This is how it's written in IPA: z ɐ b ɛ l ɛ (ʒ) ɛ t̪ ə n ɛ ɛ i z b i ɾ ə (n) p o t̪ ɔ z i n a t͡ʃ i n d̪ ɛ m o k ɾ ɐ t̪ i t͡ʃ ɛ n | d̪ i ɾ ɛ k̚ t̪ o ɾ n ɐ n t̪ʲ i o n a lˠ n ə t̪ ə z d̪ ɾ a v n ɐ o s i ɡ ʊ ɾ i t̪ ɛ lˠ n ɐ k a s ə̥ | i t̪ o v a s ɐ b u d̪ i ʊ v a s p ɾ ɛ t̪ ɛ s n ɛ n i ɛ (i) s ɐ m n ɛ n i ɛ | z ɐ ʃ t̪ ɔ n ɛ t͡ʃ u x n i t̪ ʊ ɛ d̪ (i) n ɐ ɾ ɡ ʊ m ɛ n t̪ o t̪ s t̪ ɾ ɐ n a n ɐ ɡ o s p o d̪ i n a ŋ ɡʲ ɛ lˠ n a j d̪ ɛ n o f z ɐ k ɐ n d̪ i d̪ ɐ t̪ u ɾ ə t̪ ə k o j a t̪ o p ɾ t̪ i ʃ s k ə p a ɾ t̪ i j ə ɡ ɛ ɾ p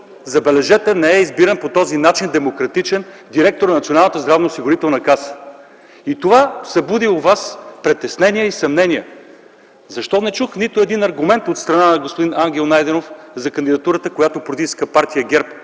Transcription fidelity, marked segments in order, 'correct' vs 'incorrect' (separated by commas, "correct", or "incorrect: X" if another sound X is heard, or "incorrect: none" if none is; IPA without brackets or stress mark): correct, correct, correct, correct